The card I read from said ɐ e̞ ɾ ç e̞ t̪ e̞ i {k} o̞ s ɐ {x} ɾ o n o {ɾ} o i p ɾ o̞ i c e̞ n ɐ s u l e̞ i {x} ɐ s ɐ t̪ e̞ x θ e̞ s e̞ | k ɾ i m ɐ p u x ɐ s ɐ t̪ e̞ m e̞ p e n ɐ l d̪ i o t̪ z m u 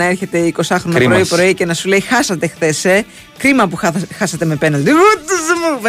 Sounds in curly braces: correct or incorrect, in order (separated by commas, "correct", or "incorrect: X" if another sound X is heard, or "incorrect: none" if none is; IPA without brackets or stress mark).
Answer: correct, correct, correct, correct